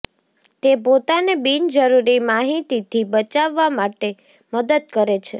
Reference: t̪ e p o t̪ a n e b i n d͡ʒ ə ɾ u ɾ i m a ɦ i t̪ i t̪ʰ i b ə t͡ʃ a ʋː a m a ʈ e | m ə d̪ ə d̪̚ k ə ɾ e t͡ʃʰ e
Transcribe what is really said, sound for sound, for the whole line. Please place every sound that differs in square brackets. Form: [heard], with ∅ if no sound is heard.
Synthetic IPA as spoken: t̪ e p o t̪ a n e b i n d͡ʒ ə ɾ u ɾ i m a ɦ i t̪ i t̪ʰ i b ə t͡ʃ a ʋː a m a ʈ e | m ə d̪ ə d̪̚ k ə ɾ e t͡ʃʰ e